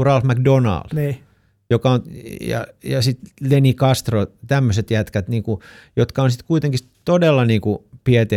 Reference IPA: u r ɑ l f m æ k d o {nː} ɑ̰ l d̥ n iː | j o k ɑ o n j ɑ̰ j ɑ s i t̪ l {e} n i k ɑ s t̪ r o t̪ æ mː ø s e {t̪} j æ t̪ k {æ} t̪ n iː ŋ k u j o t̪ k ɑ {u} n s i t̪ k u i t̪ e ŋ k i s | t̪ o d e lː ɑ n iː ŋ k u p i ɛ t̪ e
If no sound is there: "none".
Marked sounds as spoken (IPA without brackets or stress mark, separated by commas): n, e, t̪, æ, o